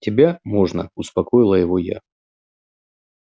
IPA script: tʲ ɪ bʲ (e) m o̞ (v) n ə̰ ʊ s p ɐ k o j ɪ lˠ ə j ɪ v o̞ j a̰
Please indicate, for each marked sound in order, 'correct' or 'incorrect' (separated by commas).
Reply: incorrect, incorrect